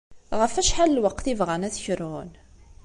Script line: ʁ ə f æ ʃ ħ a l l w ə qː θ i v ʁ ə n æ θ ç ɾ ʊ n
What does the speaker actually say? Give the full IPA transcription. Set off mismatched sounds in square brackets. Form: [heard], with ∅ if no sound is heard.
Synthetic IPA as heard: ʁ ə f æ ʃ ħ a l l w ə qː θ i v ʁ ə n æ θ ç ɾ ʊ n

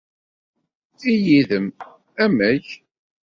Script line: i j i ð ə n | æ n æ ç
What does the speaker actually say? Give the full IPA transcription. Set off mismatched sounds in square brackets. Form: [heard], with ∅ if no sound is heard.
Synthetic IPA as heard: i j i ð ə [m] | æ [m] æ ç

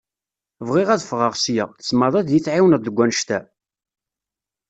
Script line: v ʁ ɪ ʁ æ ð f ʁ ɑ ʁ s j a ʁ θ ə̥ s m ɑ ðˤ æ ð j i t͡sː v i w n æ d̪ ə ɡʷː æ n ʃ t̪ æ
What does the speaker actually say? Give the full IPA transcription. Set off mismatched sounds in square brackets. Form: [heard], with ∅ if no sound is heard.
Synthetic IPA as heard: v ʁ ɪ ʁ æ ð f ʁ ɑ ʁ s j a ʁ θ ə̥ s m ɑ ðˤ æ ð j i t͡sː [ʕ] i w n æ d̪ ə ɡʷː æ n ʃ t̪ æ

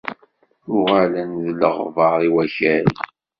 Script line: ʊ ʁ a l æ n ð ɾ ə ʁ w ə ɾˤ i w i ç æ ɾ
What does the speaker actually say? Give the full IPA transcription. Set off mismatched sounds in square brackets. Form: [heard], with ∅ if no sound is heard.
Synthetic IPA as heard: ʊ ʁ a l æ n ð [l] ə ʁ [v] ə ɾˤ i w [æ] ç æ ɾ

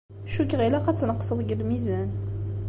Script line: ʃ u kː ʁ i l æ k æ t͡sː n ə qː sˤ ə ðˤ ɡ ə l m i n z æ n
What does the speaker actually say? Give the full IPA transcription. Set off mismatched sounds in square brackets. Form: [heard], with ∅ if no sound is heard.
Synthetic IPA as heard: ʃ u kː ʁ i l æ [q] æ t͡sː n ə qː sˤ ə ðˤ ɡ ə l m i [∅] z æ n

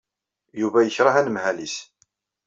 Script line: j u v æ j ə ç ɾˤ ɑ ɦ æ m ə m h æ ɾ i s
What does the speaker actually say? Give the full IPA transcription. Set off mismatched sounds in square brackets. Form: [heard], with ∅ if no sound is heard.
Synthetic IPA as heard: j u v æ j ə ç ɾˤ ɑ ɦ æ [n] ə m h æ [l] i s

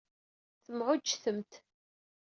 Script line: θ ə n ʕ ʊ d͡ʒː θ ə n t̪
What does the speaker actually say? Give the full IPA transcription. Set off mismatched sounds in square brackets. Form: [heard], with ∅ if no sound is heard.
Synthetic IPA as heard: θ ə [m] ʕ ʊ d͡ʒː θ ə [m] t̪

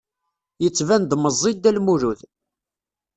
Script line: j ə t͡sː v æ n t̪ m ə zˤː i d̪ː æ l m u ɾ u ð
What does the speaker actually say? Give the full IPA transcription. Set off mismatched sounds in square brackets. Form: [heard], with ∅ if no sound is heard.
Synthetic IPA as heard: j ə t͡sː v æ n [d̪] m ə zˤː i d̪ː æ l m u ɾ u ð

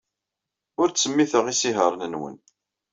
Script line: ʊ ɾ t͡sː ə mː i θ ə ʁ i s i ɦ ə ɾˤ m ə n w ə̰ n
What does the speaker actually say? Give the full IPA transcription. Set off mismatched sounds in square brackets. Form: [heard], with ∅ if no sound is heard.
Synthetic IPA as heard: ʊ ɾ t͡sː ə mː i θ ə ʁ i s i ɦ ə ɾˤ [n] ə n w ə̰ n

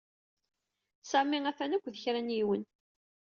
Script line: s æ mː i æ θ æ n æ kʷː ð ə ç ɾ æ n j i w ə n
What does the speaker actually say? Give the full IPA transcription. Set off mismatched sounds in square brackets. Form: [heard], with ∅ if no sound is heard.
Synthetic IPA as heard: s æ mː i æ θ æ n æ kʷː ð ə ç ɾ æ n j i w ə n

